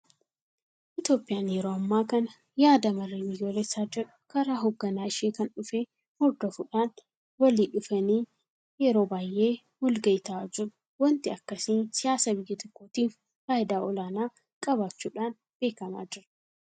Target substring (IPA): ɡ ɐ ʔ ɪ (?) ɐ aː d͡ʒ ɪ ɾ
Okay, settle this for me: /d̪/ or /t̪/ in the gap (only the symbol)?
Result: t̪